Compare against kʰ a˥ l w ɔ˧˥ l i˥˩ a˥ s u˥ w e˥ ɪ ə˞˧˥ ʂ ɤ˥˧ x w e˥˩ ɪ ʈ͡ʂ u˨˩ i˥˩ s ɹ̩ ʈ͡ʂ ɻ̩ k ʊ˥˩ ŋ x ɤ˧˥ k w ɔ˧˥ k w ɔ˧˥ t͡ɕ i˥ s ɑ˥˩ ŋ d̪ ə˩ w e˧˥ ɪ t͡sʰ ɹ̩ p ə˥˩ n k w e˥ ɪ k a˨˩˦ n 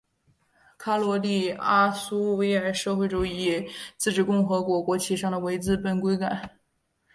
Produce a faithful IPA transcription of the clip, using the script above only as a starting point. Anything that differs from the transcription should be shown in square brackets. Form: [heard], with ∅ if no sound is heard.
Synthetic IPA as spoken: kʰ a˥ l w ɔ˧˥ l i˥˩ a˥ s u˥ w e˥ ɪ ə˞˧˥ ʂ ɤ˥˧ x w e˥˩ ɪ ʈ͡ʂ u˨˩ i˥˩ [t͡s] ɹ̩ ʈ͡ʂ ɻ̩ k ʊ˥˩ ŋ x ɤ˧˥ k w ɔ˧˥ k w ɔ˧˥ [t͡ɕʰ] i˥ [ʂ] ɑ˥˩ ŋ d̪ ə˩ w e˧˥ ɪ [t͡s] ɹ̩ p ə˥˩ n k w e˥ ɪ k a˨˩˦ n